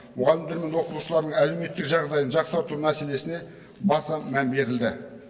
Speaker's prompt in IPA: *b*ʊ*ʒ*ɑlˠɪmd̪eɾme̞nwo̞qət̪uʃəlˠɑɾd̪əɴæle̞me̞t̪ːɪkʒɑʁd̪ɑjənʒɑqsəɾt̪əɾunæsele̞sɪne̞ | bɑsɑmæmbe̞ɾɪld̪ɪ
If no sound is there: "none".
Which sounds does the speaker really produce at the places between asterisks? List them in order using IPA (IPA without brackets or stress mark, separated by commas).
m, ʁ